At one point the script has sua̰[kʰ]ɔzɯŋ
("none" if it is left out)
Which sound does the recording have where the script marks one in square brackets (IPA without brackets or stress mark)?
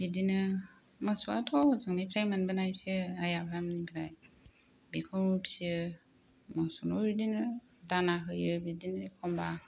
tʰ